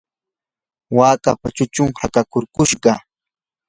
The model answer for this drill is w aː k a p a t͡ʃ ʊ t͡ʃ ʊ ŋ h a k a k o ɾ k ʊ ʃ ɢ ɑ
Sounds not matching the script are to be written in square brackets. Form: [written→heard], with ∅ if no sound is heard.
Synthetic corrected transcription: w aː k a p a t͡ʃ ʊ t͡ʃ ʊ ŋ h a k a k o ɾ k ʊ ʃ ɢ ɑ